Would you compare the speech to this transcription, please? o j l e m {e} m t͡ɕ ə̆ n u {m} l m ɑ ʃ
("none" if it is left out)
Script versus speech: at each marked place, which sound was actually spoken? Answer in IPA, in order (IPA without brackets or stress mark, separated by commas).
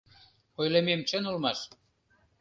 e, none